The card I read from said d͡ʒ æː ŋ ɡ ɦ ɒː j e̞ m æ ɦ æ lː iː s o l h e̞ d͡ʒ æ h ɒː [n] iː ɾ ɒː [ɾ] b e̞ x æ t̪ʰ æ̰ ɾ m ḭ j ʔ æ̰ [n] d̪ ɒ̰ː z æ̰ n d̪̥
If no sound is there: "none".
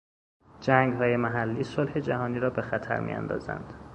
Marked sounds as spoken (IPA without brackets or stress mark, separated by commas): n, none, n